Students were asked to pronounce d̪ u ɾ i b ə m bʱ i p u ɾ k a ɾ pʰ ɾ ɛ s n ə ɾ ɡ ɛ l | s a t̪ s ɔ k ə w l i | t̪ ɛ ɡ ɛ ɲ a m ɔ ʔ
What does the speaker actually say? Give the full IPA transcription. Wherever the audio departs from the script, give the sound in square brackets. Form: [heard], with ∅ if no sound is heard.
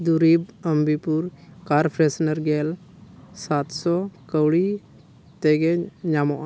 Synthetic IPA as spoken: d̪ u ɾ i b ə m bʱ i p u ɾ k a ɾ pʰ ɾ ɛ s n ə ɾ ɡ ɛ l | s a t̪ s ɔ k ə w [ɽ] i | t̪ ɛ ɡ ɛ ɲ a m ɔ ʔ